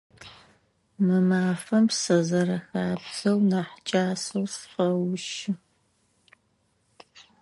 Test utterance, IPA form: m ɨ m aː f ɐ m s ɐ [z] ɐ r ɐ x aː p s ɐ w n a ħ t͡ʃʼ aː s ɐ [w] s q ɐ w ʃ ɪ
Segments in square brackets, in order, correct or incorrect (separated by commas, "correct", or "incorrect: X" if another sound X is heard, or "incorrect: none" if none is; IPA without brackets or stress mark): correct, correct